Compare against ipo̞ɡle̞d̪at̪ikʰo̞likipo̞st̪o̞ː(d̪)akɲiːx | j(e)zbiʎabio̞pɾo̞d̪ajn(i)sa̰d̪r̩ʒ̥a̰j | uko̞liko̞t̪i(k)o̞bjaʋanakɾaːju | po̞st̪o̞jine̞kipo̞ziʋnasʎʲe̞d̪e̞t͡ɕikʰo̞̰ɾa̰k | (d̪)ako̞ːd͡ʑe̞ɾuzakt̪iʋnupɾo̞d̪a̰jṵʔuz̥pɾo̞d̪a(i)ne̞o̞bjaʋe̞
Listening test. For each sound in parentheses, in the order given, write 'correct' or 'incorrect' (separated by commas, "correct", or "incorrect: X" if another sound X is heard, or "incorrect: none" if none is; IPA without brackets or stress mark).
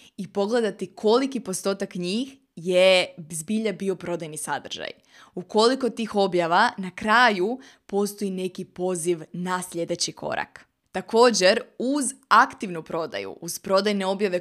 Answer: incorrect: t̪, correct, correct, incorrect: x, incorrect: t̪, incorrect: j